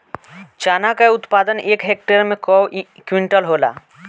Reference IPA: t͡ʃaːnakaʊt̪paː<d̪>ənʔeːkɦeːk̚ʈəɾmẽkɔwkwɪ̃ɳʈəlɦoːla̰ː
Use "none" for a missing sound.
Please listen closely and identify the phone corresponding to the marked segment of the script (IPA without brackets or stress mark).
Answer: d̪